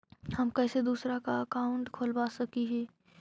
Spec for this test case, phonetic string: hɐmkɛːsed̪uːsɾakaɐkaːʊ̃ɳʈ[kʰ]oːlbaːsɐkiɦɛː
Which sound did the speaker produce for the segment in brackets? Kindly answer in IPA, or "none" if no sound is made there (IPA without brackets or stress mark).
kʰ